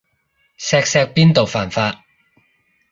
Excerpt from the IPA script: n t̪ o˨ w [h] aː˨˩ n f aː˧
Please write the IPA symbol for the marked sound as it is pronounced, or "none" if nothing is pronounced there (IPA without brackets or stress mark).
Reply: f